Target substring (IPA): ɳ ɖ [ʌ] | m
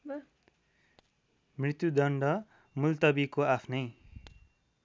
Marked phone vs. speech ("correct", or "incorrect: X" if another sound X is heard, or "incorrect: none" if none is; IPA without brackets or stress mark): correct